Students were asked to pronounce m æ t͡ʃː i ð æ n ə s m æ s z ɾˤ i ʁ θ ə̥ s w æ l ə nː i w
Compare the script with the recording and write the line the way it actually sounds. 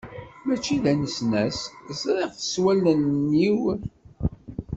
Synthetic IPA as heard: m æ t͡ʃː i ð æ n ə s n æ s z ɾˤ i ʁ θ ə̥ s w æ l ə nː i w